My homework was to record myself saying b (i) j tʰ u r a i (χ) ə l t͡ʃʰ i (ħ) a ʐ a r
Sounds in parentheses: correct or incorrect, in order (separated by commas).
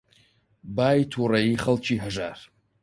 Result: incorrect, correct, correct